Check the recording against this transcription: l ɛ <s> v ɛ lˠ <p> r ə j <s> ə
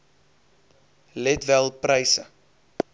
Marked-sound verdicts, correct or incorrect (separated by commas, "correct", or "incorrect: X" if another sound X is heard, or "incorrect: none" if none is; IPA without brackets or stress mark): incorrect: t, correct, correct